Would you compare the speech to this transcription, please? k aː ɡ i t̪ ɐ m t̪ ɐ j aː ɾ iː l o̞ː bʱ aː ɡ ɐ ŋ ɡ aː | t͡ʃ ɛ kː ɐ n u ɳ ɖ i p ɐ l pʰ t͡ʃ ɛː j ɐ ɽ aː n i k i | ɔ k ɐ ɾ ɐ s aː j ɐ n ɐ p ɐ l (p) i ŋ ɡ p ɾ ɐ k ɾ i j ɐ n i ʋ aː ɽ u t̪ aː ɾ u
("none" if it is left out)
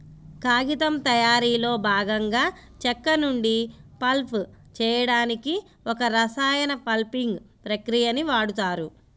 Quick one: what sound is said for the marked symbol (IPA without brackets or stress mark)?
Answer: p